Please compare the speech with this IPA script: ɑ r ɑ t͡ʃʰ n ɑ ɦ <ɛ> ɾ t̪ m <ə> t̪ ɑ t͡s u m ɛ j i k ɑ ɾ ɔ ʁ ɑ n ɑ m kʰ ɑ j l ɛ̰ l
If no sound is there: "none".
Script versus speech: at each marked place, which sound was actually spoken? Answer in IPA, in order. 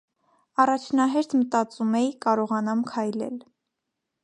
ɛ, ə

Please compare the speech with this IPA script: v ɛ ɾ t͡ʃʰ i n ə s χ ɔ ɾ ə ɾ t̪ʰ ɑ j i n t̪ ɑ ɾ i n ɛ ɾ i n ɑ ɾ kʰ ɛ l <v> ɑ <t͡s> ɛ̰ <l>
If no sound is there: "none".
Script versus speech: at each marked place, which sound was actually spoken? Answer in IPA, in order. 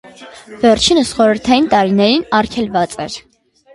v, t͡sʼ, ɾ

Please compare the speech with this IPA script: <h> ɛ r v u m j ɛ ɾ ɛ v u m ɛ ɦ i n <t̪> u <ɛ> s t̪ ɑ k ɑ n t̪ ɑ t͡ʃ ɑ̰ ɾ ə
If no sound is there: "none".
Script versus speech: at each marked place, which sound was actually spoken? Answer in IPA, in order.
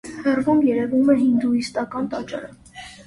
h, d̪, i

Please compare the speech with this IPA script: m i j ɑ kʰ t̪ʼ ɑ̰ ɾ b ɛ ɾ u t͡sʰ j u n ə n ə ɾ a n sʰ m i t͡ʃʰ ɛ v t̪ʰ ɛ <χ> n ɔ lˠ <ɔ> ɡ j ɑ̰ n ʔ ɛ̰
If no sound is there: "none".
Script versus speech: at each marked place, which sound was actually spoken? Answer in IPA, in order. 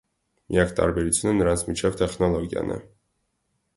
χ, ɔ

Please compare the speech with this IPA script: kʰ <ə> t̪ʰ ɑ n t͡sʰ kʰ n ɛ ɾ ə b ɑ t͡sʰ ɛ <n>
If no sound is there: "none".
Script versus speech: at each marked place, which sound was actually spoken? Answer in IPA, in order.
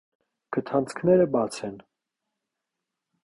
ə, n

